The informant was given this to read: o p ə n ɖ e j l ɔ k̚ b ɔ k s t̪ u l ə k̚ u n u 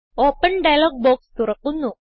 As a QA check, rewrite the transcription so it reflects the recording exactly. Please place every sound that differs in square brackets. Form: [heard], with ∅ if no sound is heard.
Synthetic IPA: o p ə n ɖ [a] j l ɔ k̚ b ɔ k s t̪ u [ɾ] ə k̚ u n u